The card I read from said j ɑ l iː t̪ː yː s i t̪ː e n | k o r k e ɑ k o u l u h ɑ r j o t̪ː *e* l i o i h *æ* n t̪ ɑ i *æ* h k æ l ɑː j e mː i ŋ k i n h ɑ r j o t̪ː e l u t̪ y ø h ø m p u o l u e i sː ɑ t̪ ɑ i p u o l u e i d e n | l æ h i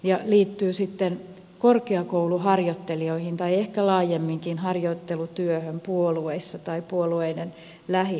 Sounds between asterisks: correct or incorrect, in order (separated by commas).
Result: correct, incorrect, incorrect